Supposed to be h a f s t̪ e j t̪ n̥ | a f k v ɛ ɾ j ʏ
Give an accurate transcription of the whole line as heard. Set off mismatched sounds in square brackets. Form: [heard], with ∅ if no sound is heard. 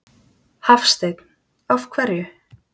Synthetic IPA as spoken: h a f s t̪ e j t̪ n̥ | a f [kʰ] v ɛ ɾ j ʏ